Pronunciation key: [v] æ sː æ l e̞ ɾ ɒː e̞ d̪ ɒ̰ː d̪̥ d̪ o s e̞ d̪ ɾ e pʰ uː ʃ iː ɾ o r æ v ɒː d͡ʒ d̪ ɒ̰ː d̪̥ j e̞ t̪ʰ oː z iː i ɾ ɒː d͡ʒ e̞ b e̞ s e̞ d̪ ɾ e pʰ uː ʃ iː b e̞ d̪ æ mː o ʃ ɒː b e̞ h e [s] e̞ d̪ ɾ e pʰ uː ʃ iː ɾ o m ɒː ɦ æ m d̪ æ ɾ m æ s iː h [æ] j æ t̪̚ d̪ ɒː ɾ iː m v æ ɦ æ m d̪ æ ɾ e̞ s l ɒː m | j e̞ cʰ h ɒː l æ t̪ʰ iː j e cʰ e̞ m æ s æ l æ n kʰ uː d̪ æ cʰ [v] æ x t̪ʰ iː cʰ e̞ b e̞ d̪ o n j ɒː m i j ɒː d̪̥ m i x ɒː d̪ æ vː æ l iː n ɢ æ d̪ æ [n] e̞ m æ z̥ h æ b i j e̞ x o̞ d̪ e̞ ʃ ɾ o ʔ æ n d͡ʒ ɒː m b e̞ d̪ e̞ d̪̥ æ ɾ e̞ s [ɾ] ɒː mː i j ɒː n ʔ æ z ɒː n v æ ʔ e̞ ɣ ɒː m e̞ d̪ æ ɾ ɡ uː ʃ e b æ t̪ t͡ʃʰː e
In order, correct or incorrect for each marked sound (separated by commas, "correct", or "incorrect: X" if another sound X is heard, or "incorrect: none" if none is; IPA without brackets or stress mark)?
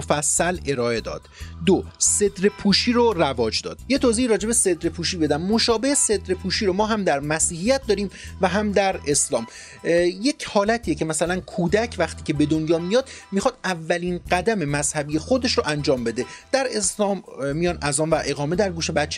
incorrect: f, correct, incorrect: i, correct, incorrect: m, incorrect: l